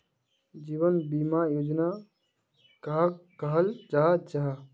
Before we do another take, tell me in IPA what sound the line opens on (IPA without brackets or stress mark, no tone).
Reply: d͡ʒ